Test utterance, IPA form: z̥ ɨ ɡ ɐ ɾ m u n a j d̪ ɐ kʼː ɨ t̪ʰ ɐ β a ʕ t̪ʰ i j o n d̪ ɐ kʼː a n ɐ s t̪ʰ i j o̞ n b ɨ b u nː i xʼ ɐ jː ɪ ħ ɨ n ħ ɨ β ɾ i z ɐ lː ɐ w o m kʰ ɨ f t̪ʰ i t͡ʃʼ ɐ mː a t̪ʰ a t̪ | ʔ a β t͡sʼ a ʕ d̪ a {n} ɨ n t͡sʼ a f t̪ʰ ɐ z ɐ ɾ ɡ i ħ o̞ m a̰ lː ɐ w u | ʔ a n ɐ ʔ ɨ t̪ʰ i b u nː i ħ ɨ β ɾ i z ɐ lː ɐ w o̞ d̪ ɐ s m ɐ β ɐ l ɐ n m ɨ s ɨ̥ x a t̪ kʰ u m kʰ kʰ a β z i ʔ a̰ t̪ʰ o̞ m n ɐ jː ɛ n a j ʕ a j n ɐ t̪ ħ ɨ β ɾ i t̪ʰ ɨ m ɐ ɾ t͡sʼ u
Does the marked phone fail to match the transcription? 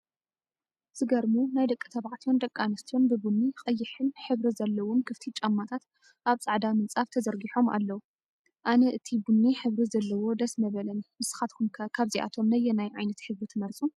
yes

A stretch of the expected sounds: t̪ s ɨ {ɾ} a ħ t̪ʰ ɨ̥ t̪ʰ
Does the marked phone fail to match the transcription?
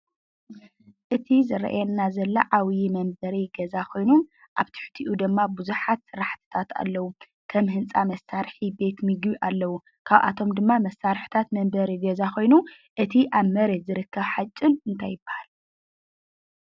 no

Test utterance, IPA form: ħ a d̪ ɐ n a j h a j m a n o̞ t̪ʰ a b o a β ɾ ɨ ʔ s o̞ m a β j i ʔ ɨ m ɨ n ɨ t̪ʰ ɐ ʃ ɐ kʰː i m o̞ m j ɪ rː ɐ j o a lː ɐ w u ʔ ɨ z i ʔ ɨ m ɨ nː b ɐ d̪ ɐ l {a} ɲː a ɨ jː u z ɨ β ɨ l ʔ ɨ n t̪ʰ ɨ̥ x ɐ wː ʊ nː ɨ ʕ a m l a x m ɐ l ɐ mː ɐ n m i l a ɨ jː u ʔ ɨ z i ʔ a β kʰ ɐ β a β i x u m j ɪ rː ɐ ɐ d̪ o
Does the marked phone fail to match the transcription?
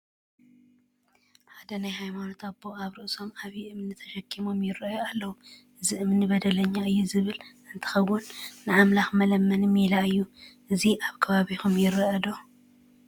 yes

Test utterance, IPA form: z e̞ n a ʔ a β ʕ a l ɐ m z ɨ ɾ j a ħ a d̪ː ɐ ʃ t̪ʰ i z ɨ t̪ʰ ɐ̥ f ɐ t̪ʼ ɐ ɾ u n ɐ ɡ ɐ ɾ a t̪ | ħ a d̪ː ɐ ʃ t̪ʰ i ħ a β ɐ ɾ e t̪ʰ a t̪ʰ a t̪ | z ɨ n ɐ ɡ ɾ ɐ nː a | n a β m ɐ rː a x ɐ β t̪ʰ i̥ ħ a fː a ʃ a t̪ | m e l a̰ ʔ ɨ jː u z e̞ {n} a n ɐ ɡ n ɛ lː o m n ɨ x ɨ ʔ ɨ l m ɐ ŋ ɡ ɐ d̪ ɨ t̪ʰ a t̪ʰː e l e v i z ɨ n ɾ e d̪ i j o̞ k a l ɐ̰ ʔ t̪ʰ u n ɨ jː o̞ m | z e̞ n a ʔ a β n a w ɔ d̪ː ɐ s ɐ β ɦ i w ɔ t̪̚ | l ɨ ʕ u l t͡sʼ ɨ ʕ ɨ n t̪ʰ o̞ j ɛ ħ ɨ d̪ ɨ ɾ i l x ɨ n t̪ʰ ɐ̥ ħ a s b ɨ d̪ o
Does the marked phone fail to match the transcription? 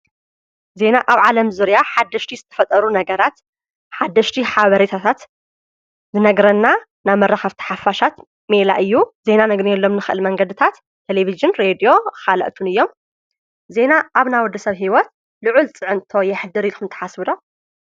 no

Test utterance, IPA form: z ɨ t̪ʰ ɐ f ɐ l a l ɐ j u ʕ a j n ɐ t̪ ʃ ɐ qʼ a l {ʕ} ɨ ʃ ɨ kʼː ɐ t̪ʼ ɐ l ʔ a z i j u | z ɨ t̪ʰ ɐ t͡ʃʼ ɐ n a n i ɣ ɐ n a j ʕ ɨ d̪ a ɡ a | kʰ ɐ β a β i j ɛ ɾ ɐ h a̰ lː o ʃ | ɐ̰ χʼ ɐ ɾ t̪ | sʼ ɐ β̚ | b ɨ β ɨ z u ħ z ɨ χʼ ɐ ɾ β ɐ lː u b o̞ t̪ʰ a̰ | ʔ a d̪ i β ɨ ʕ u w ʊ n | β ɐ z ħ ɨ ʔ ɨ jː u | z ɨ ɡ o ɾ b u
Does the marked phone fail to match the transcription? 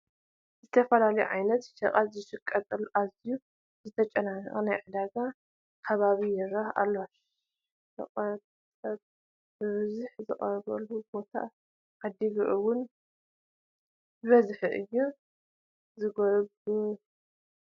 yes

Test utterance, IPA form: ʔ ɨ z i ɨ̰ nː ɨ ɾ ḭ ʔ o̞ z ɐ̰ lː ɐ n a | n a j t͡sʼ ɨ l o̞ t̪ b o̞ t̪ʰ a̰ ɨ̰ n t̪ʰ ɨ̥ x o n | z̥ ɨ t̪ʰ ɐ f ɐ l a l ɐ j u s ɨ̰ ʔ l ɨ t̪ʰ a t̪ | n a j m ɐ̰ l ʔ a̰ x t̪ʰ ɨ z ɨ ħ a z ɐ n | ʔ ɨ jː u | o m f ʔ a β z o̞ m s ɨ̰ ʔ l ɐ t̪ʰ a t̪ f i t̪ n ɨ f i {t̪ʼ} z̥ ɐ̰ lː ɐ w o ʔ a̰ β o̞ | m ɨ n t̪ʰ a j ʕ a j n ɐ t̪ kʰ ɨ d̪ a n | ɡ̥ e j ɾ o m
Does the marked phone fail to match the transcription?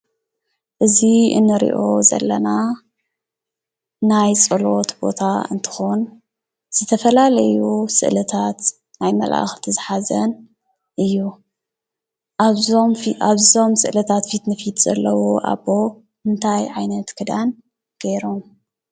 yes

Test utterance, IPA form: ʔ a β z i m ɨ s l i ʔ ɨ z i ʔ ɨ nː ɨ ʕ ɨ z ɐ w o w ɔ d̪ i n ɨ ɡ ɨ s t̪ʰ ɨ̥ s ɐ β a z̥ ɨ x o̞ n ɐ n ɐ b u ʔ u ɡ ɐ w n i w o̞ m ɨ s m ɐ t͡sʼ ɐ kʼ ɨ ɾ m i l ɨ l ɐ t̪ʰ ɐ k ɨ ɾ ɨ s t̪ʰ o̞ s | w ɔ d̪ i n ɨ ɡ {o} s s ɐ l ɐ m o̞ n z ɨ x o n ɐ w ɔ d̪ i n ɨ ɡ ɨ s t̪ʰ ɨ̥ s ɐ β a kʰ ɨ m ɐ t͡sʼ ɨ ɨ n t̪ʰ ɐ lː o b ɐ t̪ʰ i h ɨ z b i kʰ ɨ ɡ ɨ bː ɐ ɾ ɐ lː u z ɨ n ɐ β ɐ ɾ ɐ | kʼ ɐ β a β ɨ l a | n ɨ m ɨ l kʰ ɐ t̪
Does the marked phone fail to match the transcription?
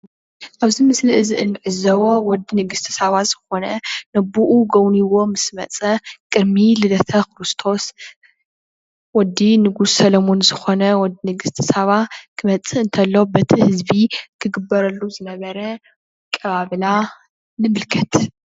yes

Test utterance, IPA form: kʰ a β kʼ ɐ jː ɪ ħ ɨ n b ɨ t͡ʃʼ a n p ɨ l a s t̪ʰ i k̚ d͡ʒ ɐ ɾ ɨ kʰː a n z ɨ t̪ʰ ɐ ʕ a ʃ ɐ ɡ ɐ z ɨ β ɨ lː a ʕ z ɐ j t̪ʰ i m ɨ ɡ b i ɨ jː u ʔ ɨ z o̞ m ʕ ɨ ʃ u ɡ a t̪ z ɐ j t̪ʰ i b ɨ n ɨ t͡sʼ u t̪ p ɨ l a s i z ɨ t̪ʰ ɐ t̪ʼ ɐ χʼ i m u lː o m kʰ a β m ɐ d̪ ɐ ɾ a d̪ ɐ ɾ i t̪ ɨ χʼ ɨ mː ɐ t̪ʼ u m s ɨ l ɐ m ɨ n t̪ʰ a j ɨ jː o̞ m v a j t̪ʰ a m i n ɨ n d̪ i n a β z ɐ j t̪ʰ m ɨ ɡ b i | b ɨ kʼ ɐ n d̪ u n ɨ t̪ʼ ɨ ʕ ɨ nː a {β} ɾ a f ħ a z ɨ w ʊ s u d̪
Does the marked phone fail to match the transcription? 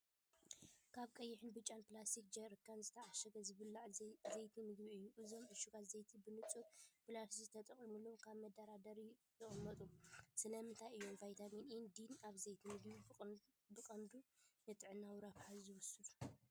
yes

